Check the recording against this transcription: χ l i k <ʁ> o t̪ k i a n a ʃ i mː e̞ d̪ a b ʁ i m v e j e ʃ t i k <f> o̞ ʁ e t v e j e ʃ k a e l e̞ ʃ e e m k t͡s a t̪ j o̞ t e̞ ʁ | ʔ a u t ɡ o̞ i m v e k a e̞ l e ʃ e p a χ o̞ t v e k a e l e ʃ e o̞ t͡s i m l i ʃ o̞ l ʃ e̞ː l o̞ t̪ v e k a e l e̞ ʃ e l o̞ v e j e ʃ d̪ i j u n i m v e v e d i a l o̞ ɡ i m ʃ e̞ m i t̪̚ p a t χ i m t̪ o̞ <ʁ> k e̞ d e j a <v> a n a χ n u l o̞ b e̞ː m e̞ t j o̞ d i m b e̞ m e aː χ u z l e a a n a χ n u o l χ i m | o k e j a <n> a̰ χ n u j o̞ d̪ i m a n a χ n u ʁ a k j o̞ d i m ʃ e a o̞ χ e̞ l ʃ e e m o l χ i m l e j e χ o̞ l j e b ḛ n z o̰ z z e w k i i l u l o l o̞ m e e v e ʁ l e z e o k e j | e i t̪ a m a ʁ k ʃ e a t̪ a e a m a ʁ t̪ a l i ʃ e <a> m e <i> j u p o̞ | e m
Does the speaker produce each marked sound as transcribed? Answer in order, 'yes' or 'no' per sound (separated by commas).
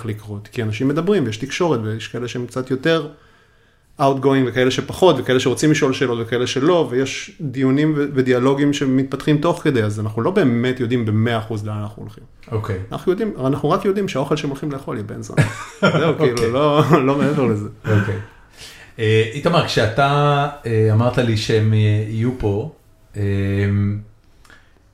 yes, no, no, no, yes, no, yes